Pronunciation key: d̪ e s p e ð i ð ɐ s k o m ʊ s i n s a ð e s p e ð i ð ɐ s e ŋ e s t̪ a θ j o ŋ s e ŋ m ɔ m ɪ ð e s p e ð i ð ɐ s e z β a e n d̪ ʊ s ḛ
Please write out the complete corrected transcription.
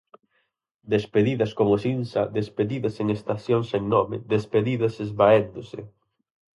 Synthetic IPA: d̪ e s p e ð i ð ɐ s k o m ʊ s i n s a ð e s p e ð i ð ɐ s e ŋ e s t̪ a θ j o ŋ s e ŋ n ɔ m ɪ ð e s p e ð i ð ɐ s e z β a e n d̪ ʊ s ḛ